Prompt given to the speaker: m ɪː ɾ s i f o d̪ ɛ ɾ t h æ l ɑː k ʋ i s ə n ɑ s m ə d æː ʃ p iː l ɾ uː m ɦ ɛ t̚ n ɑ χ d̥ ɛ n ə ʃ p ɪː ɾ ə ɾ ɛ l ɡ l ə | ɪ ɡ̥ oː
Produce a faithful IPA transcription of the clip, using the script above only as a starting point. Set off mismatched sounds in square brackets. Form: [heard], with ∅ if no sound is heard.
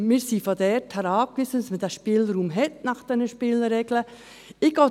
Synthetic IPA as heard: m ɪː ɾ s i f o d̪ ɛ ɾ t h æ [ɾ] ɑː k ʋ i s ə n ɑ s m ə d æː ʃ p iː l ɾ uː m ɦ ɛ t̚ n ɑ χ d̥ ɛ n ə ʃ p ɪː [l] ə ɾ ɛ [∅] ɡ l ə | ɪ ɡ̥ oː